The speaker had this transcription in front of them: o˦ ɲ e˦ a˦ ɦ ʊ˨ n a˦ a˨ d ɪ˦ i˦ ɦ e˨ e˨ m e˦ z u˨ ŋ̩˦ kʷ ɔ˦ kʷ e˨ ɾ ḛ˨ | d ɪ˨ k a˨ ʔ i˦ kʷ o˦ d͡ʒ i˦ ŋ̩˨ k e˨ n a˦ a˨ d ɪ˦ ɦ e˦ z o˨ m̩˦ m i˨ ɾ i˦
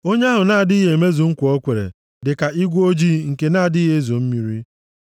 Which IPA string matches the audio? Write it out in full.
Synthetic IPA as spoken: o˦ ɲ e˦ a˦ ɦ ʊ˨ n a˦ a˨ d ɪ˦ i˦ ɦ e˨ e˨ m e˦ z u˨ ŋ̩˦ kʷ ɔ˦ kʷ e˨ ɾ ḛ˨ | d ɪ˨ k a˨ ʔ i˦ ɡʷ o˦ d͡ʒ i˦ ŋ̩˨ k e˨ n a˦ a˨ d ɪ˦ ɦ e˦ z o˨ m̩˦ m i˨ ɾ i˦